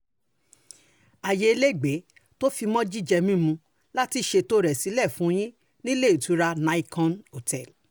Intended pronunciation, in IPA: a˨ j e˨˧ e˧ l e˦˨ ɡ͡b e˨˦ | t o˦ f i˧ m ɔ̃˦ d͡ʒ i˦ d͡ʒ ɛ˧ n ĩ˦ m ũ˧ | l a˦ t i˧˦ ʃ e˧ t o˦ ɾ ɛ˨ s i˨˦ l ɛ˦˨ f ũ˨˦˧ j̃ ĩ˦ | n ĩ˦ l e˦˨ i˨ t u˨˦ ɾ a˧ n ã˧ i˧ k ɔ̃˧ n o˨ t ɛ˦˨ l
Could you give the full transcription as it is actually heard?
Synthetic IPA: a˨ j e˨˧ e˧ l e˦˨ ɡ͡b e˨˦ | t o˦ f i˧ m ɔ̃˦ d͡ʒ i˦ d͡ʒ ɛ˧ m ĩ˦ m ũ˧ | l a˦ t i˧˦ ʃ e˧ t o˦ ɾ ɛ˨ s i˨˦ l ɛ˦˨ f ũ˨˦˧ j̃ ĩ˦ | n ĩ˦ l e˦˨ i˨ t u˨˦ ɾ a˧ n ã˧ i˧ k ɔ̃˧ n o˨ t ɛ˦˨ l